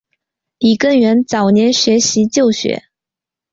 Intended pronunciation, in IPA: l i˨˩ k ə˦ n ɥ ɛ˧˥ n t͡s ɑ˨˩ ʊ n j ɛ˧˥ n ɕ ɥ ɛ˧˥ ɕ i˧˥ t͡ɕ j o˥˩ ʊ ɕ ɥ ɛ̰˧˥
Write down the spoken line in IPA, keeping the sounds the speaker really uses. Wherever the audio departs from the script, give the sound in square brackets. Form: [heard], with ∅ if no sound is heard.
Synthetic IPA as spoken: l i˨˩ k [ə˥˩] n ɥ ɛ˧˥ n t͡s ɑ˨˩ ʊ n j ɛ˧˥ n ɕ ɥ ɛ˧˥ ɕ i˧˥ t͡ɕ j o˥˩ ʊ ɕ ɥ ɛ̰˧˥